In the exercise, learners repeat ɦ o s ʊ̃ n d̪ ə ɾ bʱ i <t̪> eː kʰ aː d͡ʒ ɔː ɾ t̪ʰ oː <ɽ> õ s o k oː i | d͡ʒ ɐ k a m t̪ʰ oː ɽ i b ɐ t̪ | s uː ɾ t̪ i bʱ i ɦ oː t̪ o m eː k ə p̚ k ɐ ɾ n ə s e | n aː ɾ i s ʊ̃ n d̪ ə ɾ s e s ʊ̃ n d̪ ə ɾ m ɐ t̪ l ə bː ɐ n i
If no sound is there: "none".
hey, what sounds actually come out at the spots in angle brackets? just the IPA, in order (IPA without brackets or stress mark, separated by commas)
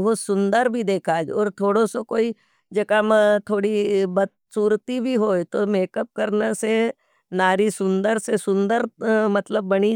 d̪, ɽ